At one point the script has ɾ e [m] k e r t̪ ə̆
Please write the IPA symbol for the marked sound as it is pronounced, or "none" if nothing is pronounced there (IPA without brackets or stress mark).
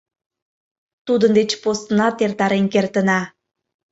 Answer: n